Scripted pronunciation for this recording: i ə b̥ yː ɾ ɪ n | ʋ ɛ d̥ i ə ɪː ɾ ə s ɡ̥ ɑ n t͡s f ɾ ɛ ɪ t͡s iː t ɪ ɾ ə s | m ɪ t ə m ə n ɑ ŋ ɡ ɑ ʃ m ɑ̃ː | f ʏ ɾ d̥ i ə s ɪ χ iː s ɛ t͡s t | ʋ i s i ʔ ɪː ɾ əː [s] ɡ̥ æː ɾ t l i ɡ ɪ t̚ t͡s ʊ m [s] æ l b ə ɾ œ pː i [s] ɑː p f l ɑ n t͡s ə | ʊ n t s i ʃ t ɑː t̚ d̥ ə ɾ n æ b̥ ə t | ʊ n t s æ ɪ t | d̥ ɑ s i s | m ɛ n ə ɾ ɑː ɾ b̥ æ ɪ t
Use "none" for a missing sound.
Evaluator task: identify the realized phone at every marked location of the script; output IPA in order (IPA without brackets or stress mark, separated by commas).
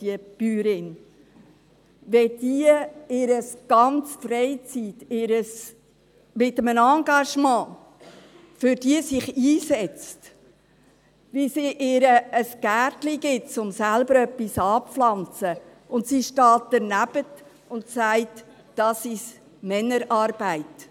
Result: s, s, s